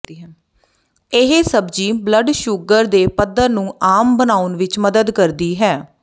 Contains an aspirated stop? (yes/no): no